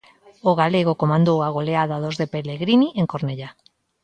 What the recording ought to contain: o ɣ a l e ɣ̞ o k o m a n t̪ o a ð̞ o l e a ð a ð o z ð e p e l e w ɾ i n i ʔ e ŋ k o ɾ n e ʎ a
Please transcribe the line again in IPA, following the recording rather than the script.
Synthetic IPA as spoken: o ɣ a l e ɣ̞ o k o m a n d̪ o a ɣ̞ o l e a ð a ð o z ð e p e l e ɣ ɾ i n i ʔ e ŋ k o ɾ n e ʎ a